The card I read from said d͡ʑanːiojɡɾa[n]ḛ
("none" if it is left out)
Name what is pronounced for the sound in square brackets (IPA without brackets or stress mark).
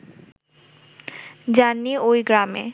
m